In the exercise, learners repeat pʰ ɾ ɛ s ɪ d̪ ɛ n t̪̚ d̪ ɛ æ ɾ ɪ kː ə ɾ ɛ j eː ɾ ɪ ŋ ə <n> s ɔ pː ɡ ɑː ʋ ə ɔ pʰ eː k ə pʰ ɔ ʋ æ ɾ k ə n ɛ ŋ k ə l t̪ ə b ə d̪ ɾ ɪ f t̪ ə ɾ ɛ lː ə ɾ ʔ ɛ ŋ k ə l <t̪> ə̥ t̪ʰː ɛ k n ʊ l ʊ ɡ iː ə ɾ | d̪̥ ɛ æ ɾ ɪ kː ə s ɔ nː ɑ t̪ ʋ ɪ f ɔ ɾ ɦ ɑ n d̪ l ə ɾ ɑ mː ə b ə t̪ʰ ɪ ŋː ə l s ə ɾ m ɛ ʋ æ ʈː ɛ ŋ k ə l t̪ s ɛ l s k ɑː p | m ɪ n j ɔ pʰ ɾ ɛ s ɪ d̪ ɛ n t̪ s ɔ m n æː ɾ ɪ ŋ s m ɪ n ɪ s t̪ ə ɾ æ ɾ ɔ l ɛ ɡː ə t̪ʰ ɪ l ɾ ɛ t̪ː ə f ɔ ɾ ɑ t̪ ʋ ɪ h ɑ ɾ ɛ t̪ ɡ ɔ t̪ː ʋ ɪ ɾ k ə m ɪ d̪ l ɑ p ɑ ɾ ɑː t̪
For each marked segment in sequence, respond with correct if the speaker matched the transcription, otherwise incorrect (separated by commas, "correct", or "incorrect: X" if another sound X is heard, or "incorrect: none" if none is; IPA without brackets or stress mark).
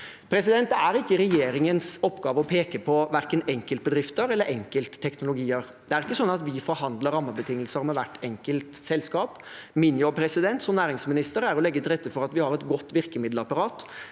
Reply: correct, correct